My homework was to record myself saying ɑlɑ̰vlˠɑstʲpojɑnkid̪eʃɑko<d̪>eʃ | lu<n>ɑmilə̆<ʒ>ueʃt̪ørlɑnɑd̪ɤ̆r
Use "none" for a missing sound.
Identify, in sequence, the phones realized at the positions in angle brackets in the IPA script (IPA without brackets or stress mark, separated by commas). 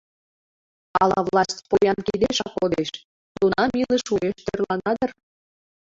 d̪, n, ʃ